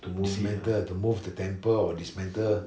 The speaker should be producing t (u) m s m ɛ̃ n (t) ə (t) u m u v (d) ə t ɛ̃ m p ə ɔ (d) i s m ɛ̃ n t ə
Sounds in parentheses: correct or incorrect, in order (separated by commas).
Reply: correct, correct, correct, correct, correct